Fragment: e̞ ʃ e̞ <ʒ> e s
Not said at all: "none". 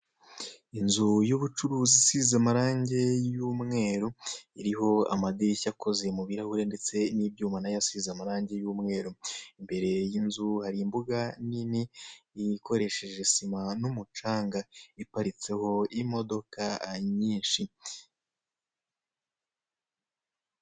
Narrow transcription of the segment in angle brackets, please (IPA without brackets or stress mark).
ʒ